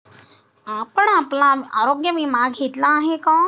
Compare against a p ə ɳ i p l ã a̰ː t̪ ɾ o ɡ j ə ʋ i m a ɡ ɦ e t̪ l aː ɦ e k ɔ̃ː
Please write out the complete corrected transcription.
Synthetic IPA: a p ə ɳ a p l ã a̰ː ɾ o ɡ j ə ʋ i m a ɡ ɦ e t̪ l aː ɦ e k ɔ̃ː